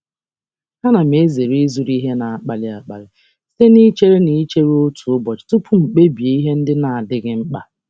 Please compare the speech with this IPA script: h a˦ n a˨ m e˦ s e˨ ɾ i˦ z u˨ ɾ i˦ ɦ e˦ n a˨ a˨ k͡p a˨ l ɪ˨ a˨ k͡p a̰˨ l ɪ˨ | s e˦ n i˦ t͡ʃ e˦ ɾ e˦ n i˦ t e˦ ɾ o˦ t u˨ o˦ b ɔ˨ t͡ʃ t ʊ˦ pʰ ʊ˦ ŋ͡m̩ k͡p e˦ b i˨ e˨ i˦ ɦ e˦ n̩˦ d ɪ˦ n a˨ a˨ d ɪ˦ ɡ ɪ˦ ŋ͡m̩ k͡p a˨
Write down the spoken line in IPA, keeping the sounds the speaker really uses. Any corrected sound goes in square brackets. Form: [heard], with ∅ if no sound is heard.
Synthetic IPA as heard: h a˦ n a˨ m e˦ [z] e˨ ɾ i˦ z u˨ ɾ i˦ ɦ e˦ n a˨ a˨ k͡p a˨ l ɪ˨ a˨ k͡p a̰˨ l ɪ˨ | s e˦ n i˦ t͡ʃ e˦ ɾ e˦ n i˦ [t͡ʃ] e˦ ɾ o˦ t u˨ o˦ b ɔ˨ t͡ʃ t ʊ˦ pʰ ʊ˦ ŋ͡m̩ k͡p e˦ b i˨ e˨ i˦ ɦ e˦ n̩˦ d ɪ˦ n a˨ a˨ d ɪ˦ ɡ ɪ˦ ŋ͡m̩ k͡p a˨